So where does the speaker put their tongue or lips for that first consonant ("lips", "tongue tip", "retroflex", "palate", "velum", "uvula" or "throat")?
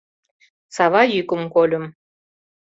tongue tip